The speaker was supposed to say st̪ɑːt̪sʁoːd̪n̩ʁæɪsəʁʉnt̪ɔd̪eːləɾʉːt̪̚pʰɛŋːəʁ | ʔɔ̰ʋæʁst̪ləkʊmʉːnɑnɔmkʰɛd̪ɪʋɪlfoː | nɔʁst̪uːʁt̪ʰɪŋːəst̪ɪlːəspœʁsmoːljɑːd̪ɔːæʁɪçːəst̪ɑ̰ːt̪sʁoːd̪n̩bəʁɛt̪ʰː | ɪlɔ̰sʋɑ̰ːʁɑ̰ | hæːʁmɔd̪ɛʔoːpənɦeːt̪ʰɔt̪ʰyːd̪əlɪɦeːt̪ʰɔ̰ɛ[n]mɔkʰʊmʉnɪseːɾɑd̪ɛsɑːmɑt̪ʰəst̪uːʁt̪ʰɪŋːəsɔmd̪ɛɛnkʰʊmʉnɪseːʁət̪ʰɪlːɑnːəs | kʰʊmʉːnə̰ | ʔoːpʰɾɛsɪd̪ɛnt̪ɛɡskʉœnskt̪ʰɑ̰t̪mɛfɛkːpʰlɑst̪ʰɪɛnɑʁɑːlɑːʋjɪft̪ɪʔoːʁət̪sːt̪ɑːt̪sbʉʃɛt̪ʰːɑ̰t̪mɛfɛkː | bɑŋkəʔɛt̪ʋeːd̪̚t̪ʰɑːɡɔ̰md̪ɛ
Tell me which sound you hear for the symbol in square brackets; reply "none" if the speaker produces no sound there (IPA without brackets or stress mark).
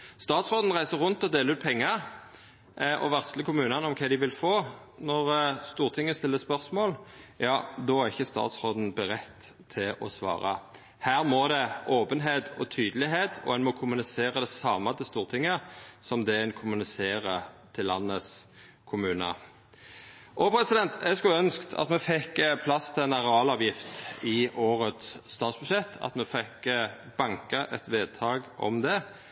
n